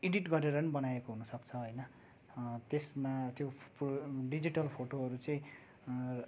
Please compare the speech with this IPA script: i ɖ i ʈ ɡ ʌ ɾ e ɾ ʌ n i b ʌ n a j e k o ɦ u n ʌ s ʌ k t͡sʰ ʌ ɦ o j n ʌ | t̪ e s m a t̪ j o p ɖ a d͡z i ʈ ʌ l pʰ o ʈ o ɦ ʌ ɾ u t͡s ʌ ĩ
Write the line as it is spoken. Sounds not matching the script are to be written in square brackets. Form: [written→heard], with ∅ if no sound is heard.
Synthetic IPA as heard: i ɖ i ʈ ɡ ʌ ɾ e ɾ ʌ n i b ʌ n a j e k o ɦ u n ʌ s ʌ k t͡sʰ ʌ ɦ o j n ʌ | t̪ e s m a t̪ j o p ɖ [a→i] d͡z i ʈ ʌ l pʰ o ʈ o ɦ ʌ ɾ u t͡s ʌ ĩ